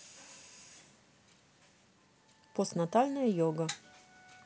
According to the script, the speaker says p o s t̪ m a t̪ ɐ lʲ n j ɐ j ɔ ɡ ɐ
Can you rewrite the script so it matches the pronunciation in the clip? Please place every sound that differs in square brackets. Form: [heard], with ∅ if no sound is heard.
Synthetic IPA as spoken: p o s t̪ [n] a t̪ [a] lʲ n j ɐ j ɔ ɡ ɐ